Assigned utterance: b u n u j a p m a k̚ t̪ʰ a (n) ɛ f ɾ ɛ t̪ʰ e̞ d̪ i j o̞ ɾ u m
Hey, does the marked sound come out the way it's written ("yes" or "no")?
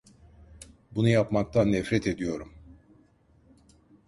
no